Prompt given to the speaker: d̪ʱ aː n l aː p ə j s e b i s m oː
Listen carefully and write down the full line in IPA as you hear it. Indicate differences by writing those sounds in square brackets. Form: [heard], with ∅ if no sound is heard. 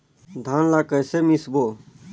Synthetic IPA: d̪ʱ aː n l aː [k] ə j s e [m] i s [b] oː